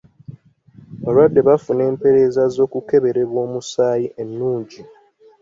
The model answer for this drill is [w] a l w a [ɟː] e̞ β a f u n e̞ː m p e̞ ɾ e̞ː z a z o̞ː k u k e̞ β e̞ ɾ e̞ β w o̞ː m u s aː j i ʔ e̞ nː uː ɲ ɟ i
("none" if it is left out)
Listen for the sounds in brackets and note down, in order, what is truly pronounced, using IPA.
β, dː

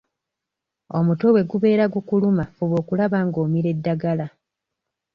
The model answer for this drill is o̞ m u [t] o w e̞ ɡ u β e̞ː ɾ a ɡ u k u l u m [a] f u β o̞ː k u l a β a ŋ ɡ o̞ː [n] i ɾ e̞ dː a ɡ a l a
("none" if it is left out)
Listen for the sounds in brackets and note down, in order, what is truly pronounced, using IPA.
t, a, m

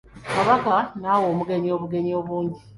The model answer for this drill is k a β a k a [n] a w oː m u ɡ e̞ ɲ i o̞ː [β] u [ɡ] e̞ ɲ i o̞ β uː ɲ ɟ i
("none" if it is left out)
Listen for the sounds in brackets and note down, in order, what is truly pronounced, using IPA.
n, β, ɡ

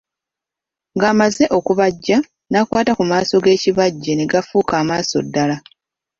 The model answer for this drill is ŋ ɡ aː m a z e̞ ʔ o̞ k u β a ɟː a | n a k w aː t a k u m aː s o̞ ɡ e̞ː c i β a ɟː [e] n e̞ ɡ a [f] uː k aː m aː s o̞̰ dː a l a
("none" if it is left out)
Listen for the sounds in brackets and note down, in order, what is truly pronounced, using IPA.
e, f

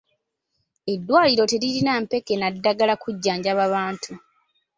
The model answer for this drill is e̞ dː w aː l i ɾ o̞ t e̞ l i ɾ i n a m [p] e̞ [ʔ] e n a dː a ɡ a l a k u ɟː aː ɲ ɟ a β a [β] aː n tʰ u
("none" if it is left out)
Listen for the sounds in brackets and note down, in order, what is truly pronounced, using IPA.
p, k, β

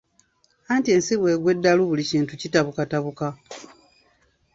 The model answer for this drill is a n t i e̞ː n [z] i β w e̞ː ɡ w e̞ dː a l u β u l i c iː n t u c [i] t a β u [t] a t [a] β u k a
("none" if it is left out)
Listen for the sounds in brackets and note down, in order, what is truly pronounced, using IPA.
s, i, k, a

